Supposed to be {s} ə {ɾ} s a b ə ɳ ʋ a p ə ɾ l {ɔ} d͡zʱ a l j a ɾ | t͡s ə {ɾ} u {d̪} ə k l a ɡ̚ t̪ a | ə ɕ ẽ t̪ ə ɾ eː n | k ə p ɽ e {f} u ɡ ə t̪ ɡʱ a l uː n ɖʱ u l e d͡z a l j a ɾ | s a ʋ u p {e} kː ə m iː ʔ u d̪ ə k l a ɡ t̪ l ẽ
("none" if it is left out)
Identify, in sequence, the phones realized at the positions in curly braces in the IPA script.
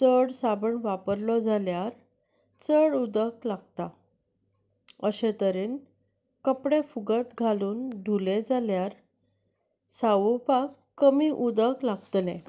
t͡s, ɽ, ɔ, ɽ, d̪, f, a

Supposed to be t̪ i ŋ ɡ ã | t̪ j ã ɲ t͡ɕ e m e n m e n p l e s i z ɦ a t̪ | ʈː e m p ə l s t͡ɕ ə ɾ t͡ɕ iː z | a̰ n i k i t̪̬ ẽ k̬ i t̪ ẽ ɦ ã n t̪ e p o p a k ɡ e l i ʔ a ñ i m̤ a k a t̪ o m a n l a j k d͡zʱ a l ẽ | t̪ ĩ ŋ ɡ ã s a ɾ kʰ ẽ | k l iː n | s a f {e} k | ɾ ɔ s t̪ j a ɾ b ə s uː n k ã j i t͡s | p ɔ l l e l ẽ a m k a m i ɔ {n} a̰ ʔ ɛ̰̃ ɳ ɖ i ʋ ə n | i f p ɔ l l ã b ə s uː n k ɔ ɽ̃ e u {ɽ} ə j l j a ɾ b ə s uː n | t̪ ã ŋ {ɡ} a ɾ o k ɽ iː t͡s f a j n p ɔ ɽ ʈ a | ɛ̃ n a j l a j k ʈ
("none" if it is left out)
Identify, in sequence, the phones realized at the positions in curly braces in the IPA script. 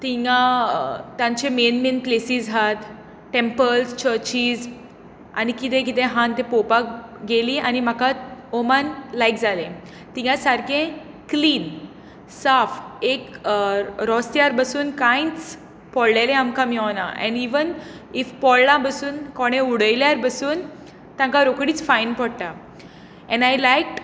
e, n, ɽ, k

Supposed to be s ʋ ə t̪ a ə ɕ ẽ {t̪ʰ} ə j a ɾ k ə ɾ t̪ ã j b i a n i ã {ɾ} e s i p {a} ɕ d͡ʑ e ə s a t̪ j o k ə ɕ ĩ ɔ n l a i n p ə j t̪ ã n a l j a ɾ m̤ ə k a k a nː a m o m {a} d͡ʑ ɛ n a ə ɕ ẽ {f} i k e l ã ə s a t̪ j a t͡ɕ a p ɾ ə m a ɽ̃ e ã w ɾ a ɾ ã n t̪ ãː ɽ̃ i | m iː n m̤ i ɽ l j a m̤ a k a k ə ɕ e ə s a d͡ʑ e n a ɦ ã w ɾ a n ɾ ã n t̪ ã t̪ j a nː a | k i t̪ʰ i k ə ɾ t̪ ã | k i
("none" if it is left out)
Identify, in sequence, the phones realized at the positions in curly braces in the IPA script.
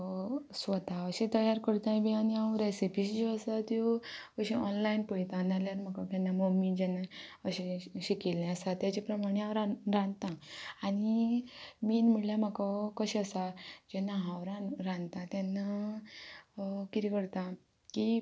t̪, ɾ, i, i, ɕ

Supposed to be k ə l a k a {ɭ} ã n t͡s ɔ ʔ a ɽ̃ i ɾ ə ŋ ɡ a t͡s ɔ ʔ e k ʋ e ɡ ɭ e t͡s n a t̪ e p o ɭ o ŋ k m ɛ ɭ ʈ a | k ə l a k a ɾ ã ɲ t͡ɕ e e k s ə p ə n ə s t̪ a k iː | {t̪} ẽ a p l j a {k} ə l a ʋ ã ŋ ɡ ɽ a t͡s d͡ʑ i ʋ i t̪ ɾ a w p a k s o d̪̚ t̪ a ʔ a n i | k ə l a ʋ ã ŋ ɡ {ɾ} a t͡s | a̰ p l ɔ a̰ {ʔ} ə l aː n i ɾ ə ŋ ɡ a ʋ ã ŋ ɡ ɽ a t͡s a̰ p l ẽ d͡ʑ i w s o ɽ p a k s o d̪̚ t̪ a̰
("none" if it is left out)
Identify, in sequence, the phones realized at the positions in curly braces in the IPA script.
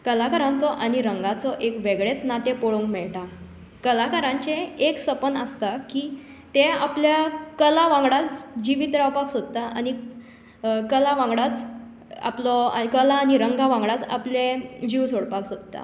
ɾ, t̪, k, ɽ, k

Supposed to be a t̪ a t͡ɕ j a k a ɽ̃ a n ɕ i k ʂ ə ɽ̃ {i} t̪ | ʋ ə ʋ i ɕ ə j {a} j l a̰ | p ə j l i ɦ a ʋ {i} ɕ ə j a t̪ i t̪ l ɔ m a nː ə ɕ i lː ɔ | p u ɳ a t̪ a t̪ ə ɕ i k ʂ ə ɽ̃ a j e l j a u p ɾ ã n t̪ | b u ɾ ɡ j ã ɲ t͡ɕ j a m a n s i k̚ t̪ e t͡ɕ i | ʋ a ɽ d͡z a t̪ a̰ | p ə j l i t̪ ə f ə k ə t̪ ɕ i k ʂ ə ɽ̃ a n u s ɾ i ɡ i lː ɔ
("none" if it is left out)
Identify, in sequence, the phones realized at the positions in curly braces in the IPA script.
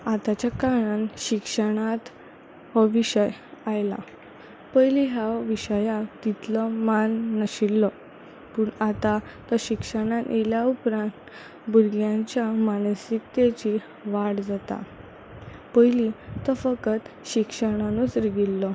a, a, i

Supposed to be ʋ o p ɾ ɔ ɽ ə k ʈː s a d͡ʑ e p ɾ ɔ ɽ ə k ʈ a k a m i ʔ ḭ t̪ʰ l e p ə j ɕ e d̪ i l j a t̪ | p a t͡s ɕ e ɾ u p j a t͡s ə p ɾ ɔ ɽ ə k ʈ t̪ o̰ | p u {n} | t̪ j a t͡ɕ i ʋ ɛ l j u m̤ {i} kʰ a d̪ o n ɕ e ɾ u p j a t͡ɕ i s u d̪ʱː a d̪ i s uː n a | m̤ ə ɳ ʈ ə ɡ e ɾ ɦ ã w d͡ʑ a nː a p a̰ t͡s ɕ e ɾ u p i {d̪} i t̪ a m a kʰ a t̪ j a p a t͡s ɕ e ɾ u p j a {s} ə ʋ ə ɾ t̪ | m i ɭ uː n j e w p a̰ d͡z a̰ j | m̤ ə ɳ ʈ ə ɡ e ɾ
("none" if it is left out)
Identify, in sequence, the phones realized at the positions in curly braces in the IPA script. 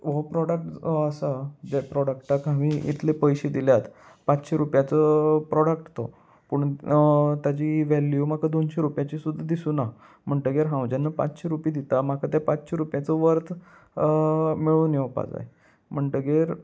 ɳ, a, d̪, t͡s

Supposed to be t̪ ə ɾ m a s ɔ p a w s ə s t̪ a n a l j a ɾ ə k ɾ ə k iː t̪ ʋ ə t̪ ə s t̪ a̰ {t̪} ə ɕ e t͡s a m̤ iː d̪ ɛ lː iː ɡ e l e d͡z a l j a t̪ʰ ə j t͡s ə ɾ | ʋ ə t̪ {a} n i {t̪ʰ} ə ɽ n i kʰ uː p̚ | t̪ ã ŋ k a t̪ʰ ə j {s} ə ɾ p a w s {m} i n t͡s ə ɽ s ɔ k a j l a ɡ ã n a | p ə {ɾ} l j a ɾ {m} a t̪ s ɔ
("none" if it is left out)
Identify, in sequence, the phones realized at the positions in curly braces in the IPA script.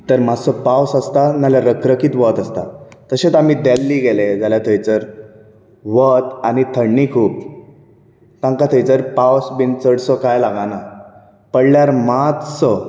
t̪, a, t̪ʰ, t͡s, b, ɽ, m

